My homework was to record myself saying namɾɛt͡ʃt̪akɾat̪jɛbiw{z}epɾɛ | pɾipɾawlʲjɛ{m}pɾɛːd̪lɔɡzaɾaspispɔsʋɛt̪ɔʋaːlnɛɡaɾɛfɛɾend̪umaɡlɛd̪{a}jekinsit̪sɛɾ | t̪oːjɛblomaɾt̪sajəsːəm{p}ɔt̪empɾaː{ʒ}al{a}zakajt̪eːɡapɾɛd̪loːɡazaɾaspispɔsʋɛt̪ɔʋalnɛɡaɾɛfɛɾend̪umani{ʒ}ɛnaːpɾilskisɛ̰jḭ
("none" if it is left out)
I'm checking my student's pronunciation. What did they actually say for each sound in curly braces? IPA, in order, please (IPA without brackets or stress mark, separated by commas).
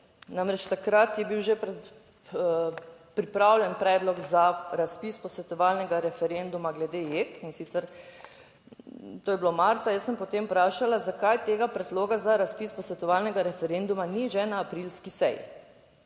ʒ, n, e, p, ʃ, a, ʒ